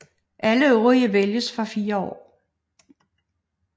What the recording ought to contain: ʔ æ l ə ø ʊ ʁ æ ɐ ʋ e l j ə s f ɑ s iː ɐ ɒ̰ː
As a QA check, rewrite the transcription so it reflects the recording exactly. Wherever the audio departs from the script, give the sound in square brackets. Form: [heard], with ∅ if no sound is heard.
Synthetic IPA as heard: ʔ æ l ə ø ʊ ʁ [i] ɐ ʋ e l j ə s f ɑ [f] iː ɐ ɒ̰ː